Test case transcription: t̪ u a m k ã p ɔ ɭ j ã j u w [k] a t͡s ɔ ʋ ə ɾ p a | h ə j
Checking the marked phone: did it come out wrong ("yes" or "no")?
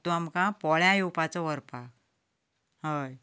yes